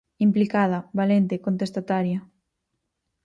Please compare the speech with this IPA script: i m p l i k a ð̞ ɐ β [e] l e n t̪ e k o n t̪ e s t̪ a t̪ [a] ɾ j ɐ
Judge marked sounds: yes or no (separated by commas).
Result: no, yes